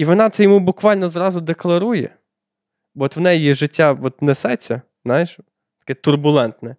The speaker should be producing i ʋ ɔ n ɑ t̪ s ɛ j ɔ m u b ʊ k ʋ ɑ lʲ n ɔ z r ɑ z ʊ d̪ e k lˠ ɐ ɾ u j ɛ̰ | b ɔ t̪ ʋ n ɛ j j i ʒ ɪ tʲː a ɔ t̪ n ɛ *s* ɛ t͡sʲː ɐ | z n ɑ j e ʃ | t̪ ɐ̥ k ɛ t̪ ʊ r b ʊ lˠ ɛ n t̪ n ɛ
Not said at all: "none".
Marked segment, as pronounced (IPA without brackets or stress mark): s